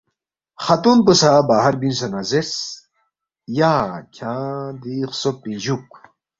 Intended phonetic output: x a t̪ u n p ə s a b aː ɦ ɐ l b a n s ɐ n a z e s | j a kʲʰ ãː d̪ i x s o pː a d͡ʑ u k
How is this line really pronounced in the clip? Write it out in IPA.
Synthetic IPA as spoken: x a t̪ u n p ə s a b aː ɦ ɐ ɾ b i n s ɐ n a z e s | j a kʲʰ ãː d̪ i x s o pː i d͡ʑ u k